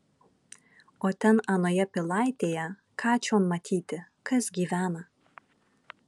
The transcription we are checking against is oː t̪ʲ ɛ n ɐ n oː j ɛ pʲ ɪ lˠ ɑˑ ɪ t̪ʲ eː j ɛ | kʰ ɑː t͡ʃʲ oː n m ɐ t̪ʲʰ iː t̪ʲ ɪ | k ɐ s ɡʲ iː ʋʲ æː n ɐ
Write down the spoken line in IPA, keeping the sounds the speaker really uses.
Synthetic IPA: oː t̪ʲ ɛ n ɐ n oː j ɛ pʲ ɪ lˠ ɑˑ ɪ t̪ʲ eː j ɛ | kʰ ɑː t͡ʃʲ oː n m ɐ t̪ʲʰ iː t̪ʲ ɪ | k ɐ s ɡʲ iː ʋʲ æː n ɐ